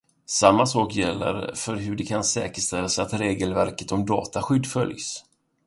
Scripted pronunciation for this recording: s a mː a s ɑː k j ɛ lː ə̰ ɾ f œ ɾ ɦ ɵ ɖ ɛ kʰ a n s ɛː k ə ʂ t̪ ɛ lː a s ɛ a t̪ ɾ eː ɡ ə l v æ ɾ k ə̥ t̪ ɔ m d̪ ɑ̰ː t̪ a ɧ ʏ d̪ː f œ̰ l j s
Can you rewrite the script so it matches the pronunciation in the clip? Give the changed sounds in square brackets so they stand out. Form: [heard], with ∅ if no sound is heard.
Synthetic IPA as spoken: s a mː a s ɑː k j ɛ lː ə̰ ɾ f œ ɾ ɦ ɵ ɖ ɛ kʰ a n s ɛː k ə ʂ t̪ ɛ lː a s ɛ a t̪ ɾ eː ɡ ə l v æ ɾ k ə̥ t̪ ɔ m d̪ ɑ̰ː t̪ a ɧ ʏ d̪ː f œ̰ l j s